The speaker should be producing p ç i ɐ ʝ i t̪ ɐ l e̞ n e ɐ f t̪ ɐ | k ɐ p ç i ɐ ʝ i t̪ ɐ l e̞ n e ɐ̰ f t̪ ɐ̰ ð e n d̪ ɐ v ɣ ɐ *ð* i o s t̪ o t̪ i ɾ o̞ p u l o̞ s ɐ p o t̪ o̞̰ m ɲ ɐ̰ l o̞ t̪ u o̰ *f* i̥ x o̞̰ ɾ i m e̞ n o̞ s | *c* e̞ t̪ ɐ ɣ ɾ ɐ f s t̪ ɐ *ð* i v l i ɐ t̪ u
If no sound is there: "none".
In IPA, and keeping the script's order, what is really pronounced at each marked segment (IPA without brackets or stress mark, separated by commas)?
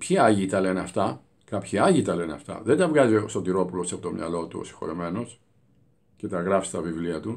z, s, c, v